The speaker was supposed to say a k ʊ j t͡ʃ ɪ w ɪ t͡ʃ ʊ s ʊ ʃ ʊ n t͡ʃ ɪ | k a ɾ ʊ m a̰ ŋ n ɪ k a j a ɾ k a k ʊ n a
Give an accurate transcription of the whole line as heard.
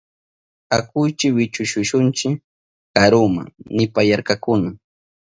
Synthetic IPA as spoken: a k ʊ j t͡ʃ ɪ w ɪ t͡ʃ ʊ ʃ ʊ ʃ ʊ n t͡ʃ ɪ | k a ɾ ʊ m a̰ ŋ n ɪ p a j a ɾ k a k ʊ n a

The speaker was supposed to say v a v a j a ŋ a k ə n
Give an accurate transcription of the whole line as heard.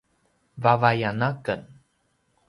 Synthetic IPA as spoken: v a v a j a n a k ə n

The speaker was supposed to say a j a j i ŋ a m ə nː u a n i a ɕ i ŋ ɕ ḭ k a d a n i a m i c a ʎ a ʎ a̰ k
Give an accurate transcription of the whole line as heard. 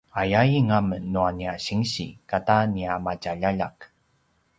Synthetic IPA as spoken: a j a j i ŋ a m ə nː u a n i a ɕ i ŋ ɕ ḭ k a t a n i a m a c a ʎ a ʎ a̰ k

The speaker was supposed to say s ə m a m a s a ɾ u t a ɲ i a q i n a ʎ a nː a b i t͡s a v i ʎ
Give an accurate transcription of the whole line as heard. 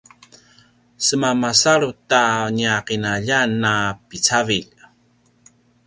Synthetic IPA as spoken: s ə m a m a s a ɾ u t a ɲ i a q i n a ʎ a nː a p i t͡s a v i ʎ

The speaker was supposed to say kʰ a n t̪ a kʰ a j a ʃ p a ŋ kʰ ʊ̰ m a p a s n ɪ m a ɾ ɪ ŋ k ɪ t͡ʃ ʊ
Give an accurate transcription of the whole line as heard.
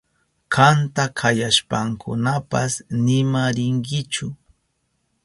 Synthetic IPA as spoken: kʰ a n t̪ a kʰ a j a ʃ p a ŋ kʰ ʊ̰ n a p a s n ɪ m a ɾ ɪ ŋ k ɪ t͡ʃ ʊ

